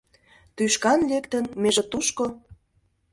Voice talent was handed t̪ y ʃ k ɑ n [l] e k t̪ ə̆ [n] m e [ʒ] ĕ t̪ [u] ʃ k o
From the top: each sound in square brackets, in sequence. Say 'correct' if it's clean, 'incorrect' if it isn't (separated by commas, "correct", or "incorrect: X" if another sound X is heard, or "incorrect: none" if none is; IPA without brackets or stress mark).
correct, correct, correct, correct